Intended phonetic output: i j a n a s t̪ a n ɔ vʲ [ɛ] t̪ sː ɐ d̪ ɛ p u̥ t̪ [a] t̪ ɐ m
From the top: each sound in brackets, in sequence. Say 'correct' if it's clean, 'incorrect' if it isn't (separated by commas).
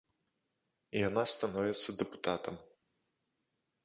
correct, correct